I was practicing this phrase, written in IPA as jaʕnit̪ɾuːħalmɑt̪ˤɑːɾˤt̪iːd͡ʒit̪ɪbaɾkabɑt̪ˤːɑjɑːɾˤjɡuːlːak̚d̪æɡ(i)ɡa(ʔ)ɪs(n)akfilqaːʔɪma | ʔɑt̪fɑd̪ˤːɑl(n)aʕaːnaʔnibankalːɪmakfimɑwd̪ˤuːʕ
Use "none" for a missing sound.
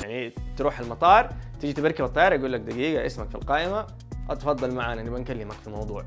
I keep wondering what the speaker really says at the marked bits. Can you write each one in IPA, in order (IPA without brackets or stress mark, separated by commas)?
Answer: iː, ʔ, m, m